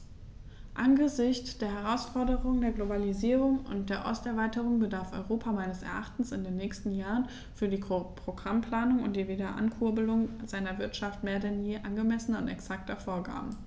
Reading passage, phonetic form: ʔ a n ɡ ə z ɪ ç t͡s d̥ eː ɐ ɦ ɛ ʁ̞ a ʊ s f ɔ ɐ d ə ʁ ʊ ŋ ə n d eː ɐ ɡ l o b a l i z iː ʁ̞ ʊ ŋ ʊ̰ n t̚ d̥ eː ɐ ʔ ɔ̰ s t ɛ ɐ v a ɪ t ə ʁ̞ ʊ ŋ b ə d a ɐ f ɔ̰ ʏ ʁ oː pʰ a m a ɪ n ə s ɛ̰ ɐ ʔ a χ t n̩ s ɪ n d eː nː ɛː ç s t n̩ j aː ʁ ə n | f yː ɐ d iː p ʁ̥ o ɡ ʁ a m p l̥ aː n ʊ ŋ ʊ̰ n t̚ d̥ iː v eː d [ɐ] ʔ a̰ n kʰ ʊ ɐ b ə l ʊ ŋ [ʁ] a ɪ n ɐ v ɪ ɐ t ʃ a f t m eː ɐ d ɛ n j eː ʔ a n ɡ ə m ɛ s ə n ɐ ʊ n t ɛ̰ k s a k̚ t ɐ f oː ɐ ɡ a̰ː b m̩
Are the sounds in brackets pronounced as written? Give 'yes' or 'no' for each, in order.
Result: yes, no

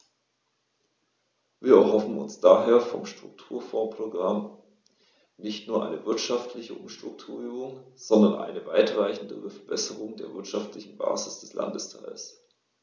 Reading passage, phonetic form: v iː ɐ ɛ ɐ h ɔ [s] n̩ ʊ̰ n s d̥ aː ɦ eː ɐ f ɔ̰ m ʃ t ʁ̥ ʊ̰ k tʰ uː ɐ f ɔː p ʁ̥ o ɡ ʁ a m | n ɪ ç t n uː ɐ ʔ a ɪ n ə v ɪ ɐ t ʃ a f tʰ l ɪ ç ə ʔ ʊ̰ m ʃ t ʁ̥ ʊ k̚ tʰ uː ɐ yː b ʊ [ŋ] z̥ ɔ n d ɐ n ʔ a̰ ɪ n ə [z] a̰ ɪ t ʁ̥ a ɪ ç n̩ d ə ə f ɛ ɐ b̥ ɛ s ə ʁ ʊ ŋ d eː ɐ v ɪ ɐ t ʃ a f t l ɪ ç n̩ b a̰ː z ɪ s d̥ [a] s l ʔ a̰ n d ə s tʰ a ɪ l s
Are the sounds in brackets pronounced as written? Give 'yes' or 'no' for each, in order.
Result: no, yes, no, no

